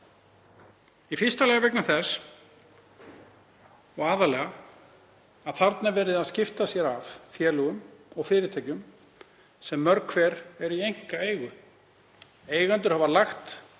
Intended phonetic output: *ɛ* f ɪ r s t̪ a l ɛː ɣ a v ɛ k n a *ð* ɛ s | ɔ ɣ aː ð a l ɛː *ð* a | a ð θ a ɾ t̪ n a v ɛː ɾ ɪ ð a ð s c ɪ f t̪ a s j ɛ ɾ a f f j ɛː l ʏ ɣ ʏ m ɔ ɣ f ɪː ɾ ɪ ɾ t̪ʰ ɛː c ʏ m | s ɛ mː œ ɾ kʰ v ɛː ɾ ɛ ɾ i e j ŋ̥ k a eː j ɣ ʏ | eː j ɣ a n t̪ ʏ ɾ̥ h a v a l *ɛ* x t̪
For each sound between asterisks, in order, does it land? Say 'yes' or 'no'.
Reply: no, no, no, no

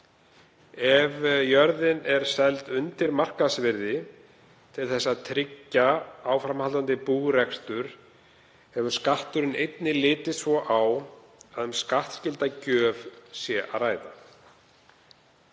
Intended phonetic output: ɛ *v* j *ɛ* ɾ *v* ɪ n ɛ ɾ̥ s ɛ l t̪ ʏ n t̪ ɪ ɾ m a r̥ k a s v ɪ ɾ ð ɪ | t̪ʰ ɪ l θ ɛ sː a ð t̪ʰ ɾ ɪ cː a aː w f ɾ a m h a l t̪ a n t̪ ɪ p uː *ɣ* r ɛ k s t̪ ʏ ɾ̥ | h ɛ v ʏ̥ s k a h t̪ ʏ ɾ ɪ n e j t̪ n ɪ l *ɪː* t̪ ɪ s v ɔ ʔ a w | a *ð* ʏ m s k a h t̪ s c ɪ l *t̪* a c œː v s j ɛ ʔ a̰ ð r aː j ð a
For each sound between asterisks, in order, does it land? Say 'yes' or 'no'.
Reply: yes, no, no, yes, yes, yes, yes

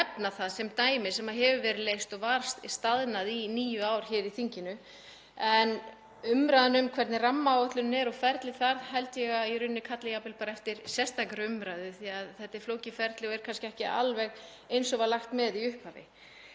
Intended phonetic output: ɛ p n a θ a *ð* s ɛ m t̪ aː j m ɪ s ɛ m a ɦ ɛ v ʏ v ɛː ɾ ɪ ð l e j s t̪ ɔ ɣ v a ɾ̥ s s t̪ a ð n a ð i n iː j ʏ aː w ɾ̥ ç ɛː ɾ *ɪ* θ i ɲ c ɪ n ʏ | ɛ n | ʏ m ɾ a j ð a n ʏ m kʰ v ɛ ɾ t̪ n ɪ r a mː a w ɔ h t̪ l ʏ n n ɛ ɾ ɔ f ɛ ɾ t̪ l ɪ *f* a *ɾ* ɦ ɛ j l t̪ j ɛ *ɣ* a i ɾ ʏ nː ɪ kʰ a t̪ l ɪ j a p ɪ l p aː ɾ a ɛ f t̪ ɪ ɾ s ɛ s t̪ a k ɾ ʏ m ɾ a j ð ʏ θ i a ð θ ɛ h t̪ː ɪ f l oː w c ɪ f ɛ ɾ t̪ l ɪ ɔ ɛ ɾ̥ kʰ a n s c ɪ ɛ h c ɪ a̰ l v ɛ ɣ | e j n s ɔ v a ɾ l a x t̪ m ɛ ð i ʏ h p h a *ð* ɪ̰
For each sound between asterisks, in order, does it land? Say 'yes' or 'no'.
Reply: yes, no, no, yes, yes, no

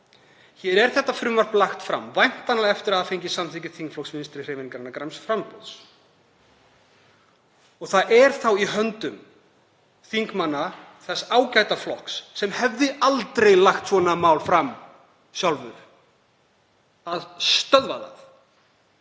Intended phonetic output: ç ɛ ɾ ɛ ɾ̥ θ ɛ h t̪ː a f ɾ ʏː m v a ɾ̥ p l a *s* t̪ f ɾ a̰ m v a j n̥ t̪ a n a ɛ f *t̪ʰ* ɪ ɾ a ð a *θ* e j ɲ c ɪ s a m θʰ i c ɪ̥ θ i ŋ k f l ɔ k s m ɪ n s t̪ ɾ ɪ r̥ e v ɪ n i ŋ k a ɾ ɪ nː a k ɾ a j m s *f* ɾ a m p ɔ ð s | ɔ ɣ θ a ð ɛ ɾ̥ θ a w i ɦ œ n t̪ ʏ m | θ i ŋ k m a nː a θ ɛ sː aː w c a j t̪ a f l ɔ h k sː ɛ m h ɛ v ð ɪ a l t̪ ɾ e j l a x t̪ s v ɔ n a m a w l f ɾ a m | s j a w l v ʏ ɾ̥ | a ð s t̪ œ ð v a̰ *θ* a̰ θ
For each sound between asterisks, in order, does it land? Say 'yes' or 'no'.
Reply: no, no, no, yes, no

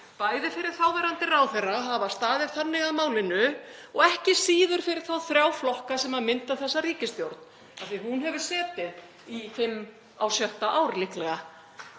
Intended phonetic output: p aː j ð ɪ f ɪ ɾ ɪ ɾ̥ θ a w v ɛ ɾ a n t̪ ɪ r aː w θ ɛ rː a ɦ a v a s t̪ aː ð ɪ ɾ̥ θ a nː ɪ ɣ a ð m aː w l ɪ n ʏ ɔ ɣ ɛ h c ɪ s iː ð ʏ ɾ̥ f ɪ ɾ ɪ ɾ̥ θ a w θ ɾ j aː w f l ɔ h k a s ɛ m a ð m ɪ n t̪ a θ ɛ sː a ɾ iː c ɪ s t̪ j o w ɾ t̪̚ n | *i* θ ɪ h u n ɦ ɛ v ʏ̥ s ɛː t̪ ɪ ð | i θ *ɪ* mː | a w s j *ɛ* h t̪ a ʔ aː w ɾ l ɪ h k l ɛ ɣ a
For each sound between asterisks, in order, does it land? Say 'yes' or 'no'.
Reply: no, yes, no

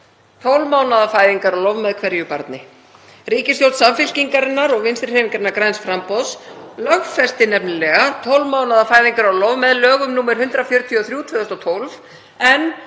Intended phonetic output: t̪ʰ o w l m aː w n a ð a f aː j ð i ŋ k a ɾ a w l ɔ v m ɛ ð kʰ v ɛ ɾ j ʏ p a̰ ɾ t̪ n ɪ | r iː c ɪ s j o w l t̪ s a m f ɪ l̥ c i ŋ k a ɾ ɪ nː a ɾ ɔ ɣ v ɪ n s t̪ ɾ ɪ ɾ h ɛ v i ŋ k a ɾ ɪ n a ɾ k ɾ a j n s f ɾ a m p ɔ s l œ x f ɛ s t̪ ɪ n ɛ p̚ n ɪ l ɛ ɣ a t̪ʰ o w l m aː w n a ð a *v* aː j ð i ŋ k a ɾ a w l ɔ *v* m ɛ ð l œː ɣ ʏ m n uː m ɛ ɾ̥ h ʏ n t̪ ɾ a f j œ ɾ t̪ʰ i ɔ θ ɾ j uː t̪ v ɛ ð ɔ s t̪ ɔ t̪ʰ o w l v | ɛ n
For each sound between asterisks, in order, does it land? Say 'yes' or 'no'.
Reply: no, yes

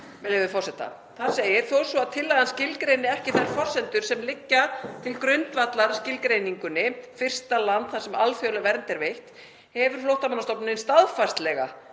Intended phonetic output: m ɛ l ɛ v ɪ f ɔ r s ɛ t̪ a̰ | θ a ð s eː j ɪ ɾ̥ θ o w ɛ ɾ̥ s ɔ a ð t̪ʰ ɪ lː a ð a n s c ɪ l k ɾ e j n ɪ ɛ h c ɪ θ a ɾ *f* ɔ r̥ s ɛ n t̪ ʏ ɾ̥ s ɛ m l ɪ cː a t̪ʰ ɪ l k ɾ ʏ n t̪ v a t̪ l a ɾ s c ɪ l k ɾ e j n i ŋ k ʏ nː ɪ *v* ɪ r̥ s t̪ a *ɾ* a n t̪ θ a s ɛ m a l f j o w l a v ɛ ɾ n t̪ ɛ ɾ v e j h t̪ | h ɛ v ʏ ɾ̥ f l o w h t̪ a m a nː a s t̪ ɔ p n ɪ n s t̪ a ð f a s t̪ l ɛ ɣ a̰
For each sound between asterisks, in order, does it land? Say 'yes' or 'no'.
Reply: yes, no, no

